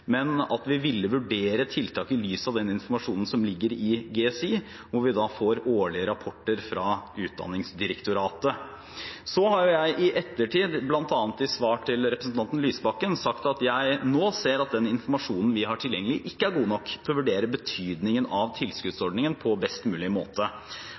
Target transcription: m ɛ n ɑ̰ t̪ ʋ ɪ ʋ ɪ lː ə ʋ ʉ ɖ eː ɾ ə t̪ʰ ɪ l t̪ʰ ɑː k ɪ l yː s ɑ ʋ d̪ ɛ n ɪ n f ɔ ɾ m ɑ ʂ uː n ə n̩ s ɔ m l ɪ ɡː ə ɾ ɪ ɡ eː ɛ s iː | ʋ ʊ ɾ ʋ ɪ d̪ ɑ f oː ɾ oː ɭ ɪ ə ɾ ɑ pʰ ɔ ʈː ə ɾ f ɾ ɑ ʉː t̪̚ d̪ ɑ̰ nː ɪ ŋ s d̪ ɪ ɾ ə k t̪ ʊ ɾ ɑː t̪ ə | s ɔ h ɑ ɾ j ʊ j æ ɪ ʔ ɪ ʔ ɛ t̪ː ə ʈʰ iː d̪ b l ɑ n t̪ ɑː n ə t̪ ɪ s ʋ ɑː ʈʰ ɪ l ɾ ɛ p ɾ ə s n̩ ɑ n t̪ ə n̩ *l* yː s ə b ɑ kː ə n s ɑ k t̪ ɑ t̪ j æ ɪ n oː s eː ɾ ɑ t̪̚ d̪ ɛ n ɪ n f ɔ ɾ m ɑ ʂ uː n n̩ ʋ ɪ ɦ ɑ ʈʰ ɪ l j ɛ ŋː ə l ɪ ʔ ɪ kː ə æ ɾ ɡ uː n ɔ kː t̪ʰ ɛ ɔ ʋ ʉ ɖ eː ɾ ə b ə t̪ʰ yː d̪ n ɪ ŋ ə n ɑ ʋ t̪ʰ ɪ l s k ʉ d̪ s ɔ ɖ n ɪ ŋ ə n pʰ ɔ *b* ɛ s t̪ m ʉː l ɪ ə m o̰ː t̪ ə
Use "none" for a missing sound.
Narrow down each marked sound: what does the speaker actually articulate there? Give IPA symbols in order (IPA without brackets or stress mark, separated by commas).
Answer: l, b